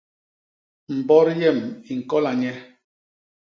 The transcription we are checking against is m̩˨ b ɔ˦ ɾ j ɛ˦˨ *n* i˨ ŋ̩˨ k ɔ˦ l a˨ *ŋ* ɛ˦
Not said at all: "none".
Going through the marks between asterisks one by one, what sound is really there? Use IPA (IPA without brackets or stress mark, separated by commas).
m, ɲ